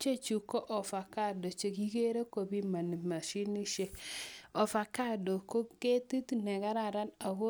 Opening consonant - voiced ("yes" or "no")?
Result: no